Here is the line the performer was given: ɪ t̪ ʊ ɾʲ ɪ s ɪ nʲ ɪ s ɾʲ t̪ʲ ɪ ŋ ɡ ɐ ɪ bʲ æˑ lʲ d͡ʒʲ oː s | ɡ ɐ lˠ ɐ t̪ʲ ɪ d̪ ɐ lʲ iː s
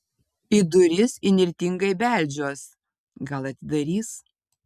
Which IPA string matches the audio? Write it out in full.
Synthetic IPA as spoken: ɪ d̪ ʊ ɾʲ ɪ s ɪ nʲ ɪ ɾʲ t̪ʲ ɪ ŋ ɡ ɐ ɪ bʲ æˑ lʲ d͡ʒʲ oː s | ɡ ɐ lˠ ɐ t̪ʲ ɪ d̪ ɐ ɾʲ iː s

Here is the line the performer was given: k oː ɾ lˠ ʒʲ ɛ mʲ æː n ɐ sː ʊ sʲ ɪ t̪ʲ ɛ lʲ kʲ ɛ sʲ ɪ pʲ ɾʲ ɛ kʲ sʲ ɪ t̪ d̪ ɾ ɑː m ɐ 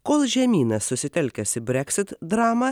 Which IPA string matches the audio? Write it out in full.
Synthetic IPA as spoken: k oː lˠ ʒʲ ɛ mʲ iː n ɐ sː ʊ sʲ ɪ t̪ʲ ɛ lʲ kʲ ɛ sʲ ɪ bʲ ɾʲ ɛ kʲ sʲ ɪ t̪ d̪ ɾ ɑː m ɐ

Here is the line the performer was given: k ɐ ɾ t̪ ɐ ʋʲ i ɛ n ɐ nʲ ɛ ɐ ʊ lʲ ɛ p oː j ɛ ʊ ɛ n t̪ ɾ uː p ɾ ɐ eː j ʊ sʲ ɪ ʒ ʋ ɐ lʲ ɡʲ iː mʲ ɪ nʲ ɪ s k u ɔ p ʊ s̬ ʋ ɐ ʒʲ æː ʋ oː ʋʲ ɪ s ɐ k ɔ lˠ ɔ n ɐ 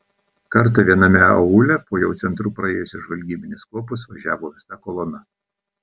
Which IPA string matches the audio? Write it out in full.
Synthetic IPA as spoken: k ɐ ɾ t̪ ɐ ʋʲ i ɛ n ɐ mʲ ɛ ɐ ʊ lʲ ɛ p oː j ɛ ʊ ɛ n t̪ ɾ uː p ɾ ɐ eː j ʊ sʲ ɪ ʒ ʋ ɐ lʲ ɡʲ iː bʲ ɪ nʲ ɪ s k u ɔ p ʊ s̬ ʋ ɐ ʒʲ æː ʋ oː ʋʲ ɪ s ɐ k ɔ lˠ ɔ n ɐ

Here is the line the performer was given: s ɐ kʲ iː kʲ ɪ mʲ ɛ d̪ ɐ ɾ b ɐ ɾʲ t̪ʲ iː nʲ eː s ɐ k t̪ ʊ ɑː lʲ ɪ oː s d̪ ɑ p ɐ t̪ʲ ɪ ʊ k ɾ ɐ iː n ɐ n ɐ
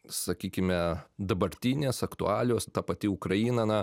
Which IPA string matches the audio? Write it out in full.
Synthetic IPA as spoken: s ɐ kʲ iː kʲ ɪ mʲ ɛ d̪ ɐ b ɐ ɾʲ t̪ʲ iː nʲ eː s ɐ k t̪ ʊ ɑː lʲ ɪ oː s t̪ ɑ p ɐ t̪ʲ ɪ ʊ k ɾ ɐ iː n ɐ n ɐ

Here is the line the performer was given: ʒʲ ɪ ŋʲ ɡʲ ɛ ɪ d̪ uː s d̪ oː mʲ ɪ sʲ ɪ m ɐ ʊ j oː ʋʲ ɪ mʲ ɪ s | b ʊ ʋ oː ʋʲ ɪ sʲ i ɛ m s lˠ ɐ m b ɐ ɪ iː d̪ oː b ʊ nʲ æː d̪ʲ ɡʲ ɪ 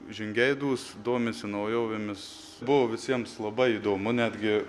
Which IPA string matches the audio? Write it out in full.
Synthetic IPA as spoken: ʒʲ ɪ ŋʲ ɡʲ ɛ ɪ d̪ uː s d̪ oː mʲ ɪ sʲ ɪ n ɐ ʊ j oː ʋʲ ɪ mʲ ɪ s | b ʊ ʋ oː ʋʲ ɪ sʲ i ɛ m s lˠ ɐ b ɐ ɪ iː d̪ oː m ʊ nʲ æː d̪ʲ ɡʲ ɪ

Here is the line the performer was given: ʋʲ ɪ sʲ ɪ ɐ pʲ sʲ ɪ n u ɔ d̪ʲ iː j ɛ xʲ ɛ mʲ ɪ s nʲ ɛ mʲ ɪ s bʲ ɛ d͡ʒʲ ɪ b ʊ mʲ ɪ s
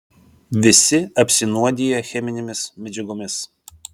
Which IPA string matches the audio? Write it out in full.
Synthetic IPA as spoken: ʋʲ ɪ sʲ ɪ ɐ pʲ sʲ ɪ n u ɔ d̪ʲ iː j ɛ xʲ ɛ mʲ ɪ nʲ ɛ mʲ ɪ s mʲ ɛ d͡ʒʲ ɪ ɡ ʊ mʲ ɪ s

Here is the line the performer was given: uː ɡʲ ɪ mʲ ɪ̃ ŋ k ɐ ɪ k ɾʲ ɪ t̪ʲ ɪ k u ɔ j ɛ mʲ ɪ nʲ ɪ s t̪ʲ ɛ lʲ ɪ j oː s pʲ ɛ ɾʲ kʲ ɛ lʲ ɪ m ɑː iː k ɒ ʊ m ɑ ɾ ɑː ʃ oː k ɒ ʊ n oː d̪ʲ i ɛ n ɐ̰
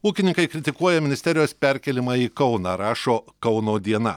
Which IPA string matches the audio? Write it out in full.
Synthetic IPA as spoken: uː kʲ ɪ nʲ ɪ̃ ŋ k ɐ ɪ k ɾʲ ɪ t̪ʲ ɪ k u ɔ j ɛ mʲ ɪ nʲ ɪ s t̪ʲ ɛ ɾʲ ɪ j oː s pʲ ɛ ɾʲ kʲ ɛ lʲ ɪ m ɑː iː k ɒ ʊ n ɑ ɾ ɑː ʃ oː k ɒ ʊ n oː d̪ʲ i ɛ n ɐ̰

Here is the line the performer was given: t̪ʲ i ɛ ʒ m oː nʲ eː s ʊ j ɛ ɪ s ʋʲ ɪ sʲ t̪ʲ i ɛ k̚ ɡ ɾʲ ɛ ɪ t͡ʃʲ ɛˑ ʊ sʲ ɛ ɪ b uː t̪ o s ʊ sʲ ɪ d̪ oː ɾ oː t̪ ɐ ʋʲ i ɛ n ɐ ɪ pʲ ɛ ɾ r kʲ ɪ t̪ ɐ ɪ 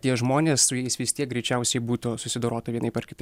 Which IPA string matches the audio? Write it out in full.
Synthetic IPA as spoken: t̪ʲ i ɛ ʒ m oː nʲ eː s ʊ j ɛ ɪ s ʋʲ ɪ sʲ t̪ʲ i ɛ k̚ ɡ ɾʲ ɛ ɪ t͡ʃʲ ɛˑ ʊ sʲ ɛ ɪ b uː t̪ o s ʊ sʲ ɪ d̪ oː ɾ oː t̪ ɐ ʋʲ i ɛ n ɐ ɪ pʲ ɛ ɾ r kʲ ɪ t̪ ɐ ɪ

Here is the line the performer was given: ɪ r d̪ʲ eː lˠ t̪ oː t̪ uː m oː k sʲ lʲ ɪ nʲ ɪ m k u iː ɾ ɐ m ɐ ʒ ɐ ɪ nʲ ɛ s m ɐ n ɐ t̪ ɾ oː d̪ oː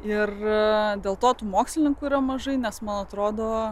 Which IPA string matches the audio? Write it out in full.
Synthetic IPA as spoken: ɪ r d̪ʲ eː lˠ t̪ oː t̪ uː m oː k sʲ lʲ ɪ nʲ ɪ ŋ k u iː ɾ ɐ m ɐ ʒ ɐ ɪ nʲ ɛ s m ɐ n ɐ t̪ ɾ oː d̪ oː

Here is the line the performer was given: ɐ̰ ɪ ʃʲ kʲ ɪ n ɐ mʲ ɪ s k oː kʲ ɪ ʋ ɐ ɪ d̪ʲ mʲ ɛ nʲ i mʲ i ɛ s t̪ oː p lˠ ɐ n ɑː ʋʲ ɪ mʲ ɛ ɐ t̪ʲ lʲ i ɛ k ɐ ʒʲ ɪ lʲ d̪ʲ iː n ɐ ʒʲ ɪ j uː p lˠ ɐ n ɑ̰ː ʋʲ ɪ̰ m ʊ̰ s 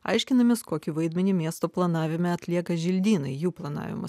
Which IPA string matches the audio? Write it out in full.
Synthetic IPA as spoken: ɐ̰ ɪ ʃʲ kʲ ɪ n ɐ mʲ ɪ s k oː kʲ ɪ ʋ ɐ ɪ d̪ʲ mʲ ɛ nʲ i mʲ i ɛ s t̪ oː p lˠ ɐ n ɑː ʋʲ ɪ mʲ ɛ ɐ t̪ʲ lʲ i ɛ k ɐ ʒʲ ɪ lʲ d̪ʲ iː n ɐ ɪ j uː p lˠ ɐ n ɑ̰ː ʋʲ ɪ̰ m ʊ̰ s

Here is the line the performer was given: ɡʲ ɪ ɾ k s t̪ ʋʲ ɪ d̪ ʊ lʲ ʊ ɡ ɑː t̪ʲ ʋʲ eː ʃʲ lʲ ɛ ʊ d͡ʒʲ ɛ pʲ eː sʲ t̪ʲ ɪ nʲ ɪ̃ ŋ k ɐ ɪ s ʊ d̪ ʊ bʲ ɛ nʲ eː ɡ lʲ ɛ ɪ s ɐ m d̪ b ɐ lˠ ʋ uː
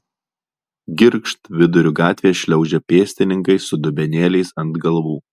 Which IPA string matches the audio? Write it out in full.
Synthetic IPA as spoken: ɡʲ ɪ ɾ k ʃ t̪ ʋʲ ɪ d̪ ʊ ɾʲ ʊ ɡ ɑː t̪ʲ ʋʲ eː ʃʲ lʲ ɛ ʊ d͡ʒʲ ɛ pʲ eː sʲ t̪ʲ ɪ nʲ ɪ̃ ŋ k ɐ ɪ s ʊ d̪ ʊ bʲ ɛ nʲ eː lʲ ɛ ɪ s ɐ n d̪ ɡ ɐ lˠ ʋ uː

